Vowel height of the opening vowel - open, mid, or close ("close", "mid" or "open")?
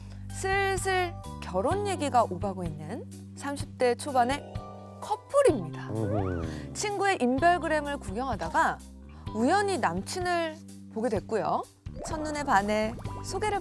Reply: close